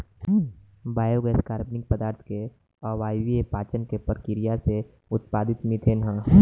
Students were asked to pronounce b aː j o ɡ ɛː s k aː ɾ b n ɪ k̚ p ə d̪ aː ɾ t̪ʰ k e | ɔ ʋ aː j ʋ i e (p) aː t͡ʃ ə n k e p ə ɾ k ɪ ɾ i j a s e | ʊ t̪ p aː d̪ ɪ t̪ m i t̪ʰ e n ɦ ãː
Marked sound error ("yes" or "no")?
no